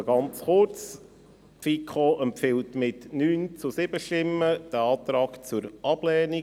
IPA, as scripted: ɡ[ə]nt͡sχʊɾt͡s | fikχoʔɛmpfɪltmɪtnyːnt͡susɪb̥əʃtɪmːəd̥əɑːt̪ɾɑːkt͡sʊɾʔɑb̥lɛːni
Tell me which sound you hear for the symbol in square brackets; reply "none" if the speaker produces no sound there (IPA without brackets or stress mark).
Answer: ɑ